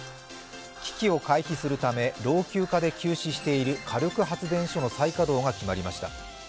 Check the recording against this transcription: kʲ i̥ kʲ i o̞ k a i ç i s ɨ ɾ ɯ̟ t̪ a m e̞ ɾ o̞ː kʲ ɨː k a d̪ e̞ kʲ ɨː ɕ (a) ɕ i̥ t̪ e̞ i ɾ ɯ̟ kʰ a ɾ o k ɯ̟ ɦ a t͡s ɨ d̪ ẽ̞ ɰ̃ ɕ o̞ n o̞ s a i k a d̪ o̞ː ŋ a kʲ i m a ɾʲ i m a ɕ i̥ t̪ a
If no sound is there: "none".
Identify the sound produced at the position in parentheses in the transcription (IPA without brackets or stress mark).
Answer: i